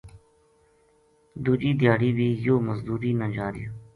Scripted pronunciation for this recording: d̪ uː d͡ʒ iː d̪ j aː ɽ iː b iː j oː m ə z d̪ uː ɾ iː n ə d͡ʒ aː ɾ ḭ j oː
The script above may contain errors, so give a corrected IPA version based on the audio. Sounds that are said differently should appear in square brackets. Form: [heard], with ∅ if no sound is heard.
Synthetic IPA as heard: d̪ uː d͡ʒ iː d̪ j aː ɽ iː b iː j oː m ə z d̪ uː ɾ iː n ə d͡ʒ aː ɾ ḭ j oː